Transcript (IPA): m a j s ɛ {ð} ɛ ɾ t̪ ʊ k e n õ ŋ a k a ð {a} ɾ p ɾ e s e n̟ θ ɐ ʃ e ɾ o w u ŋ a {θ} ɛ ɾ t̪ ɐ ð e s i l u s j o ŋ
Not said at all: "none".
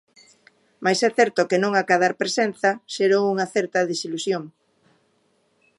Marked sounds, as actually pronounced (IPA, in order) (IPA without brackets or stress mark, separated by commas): θ, a, θ